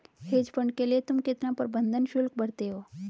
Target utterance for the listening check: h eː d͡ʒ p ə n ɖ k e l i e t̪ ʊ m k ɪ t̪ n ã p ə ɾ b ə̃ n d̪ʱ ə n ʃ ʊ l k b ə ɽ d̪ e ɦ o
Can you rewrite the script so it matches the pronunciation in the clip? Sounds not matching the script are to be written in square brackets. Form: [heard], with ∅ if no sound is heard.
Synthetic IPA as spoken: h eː d͡ʒ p ə [ɳ] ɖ k e l i e t̪ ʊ m k ɪ t̪ n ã p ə ɾ b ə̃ n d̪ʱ ə n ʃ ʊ l k b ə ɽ [t̪] e ɦ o